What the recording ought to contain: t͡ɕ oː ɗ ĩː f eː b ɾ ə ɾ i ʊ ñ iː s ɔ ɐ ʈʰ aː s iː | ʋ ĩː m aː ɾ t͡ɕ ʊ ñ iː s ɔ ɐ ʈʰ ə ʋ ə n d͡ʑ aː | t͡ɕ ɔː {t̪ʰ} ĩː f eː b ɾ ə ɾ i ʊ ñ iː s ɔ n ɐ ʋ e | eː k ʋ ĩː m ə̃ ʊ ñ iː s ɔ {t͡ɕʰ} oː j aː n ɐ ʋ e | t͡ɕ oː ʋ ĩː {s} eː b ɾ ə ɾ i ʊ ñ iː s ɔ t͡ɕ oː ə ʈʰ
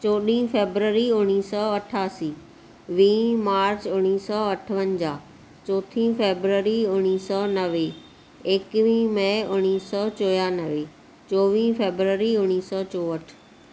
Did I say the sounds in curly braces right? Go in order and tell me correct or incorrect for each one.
correct, incorrect, incorrect

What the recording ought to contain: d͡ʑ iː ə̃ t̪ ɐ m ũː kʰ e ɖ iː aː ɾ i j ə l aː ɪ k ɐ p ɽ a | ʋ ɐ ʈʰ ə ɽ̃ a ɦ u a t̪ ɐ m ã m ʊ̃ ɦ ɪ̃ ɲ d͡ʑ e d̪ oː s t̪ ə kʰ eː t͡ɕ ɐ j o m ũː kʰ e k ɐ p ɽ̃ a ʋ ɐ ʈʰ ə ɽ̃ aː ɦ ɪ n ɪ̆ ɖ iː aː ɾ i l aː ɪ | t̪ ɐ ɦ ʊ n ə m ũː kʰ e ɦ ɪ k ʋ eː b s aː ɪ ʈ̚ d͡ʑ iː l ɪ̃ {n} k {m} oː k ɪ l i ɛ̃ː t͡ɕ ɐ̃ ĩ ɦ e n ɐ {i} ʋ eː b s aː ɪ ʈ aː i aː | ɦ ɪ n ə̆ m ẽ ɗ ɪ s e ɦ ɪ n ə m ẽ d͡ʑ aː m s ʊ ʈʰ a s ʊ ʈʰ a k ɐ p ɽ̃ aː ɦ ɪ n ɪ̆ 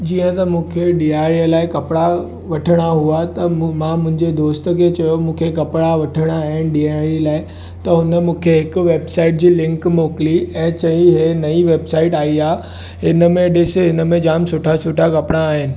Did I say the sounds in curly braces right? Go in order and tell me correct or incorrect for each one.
incorrect, correct, correct

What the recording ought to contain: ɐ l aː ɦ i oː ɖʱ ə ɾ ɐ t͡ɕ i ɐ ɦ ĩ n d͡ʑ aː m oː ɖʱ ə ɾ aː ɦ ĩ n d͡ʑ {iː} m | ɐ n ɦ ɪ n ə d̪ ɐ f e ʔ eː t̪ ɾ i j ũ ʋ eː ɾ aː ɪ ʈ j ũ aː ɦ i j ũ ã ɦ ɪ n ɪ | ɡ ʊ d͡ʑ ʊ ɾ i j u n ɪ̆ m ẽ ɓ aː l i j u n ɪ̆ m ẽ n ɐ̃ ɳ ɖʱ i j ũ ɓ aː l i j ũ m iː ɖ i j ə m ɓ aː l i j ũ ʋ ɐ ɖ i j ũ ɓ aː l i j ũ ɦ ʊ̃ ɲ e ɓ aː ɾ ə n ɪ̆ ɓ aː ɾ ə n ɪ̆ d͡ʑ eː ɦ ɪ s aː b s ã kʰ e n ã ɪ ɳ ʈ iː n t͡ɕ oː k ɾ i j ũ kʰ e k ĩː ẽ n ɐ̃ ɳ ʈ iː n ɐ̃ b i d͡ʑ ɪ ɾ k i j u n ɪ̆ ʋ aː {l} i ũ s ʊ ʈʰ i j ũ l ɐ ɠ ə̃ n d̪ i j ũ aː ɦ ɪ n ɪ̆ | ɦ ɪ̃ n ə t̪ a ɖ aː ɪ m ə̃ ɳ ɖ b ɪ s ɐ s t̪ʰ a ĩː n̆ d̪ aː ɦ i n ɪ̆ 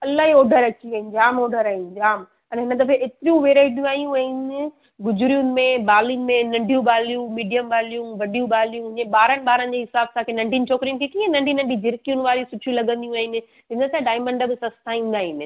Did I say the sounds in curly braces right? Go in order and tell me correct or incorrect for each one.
incorrect, incorrect

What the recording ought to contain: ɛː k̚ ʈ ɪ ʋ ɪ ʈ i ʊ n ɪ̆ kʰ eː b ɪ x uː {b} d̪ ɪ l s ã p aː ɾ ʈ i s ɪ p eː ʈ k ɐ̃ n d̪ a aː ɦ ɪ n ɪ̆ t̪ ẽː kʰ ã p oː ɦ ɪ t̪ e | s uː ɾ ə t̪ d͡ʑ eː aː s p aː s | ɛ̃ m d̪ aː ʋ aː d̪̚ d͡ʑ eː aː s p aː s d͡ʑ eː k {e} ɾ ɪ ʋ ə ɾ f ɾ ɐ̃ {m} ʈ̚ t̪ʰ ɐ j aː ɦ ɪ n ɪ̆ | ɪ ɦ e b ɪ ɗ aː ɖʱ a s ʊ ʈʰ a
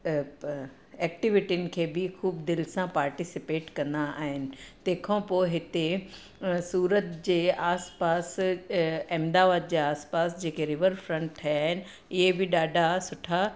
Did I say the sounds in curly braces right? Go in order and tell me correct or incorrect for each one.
correct, correct, incorrect

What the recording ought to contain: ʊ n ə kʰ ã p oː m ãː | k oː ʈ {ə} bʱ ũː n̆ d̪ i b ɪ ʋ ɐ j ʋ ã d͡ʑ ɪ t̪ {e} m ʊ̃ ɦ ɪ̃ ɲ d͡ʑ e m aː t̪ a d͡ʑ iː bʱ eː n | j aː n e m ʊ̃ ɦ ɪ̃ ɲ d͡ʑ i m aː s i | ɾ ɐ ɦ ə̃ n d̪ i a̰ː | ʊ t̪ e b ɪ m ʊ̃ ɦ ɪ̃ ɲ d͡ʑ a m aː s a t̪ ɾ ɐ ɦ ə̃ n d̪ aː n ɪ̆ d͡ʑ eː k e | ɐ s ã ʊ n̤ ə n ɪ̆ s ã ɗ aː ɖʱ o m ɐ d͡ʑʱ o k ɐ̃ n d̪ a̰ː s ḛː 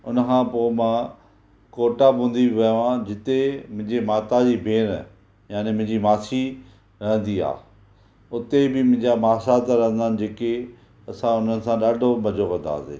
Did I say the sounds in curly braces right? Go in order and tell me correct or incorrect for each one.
incorrect, correct

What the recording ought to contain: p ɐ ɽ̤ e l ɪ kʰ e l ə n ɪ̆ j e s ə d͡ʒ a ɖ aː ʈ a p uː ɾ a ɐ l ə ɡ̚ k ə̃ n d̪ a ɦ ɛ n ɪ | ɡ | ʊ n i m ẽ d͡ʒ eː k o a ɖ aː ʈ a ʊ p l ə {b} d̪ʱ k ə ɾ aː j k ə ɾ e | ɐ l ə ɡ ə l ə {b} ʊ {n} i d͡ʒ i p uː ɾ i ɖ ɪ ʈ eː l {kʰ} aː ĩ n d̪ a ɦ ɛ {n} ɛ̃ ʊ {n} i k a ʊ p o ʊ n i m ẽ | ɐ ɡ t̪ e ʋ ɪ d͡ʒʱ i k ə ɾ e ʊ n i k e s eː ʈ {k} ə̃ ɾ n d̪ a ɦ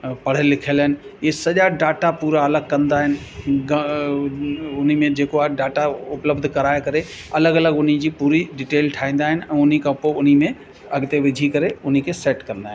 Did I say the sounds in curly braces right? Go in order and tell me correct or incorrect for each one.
correct, incorrect, correct, incorrect, correct, correct, correct

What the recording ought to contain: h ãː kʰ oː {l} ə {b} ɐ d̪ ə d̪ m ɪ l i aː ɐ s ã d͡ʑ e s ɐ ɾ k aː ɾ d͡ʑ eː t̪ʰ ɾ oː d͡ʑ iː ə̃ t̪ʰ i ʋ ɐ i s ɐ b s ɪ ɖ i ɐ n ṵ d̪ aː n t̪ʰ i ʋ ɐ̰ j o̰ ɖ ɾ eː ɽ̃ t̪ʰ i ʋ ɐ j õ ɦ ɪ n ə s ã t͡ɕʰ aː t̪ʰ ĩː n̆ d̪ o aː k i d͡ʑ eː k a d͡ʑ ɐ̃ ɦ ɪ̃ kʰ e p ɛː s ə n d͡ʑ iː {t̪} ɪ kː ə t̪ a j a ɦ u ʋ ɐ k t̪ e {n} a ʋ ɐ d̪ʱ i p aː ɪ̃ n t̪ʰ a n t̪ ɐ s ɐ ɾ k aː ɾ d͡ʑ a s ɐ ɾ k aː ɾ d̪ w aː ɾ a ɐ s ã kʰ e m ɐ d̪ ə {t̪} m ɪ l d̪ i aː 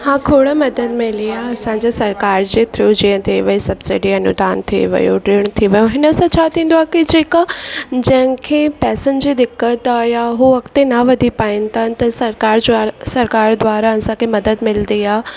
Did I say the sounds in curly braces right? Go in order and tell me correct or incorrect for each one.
incorrect, incorrect, incorrect, correct, incorrect

